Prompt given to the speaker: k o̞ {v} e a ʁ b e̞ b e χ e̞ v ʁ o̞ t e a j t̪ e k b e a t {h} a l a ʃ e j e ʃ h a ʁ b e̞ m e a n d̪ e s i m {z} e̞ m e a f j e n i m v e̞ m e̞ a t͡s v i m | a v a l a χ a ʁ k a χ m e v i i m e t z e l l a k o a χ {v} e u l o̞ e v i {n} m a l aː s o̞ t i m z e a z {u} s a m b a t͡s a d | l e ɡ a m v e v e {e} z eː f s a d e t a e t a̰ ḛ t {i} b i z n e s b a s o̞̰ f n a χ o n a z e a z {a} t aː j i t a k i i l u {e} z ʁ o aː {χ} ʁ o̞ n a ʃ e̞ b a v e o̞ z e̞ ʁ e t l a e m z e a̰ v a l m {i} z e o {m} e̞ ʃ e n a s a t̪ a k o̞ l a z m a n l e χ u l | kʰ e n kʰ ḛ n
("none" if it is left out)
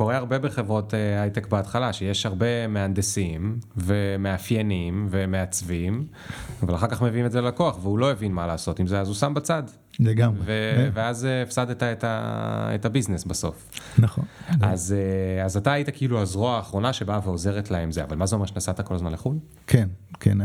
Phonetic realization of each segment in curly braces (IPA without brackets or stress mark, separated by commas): ʁ, χ, v, v, n, u, a, a, a, a, χ, a, m